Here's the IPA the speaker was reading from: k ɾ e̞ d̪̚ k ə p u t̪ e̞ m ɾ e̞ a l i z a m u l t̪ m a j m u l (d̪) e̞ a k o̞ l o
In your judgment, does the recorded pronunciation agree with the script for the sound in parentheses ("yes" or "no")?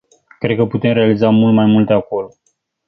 no